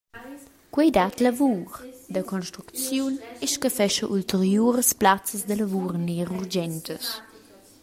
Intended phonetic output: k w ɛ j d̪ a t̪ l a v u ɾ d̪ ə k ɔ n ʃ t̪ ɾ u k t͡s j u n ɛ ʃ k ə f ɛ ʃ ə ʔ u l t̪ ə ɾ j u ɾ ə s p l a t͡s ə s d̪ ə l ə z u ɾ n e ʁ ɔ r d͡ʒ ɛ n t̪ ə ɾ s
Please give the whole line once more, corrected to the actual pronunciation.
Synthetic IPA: k w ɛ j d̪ a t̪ l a v u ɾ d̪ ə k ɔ n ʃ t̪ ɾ u k t͡s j u n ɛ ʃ k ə f ɛ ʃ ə ʔ u l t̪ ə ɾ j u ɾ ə s p l a t͡s ə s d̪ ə l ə v u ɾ n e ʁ u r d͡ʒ ɛ n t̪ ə s